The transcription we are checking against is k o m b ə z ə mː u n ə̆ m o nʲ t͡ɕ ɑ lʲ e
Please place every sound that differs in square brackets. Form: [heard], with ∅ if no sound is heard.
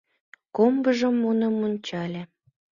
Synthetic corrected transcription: k o m b ə [ʒ] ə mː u n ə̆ m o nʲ t͡ɕ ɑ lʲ e